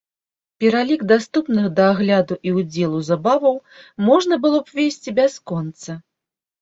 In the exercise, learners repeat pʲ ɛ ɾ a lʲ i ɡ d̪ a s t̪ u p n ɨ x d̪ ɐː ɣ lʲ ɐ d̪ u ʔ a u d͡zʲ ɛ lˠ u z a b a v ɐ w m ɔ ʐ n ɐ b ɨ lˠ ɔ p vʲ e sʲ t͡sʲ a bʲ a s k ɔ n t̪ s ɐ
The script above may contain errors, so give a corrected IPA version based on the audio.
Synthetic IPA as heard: pʲ ɛ ɾ a lʲ i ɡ d̪ a s t̪ u p n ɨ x d̪ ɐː ɣ lʲ a d̪ u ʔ i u d͡zʲ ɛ lˠ u z a b a v ɐ w m ɔ ʐ n ɐ b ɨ lˠ ɔ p vʲ e sʲ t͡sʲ i bʲ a s k ɔ n t̪ s ɐ